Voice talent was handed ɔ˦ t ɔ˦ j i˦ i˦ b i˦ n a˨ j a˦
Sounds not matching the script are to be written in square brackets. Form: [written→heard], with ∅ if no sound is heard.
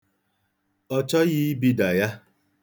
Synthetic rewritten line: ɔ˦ [t→t͡ʃ] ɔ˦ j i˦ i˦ b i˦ [n→d] a˨ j a˦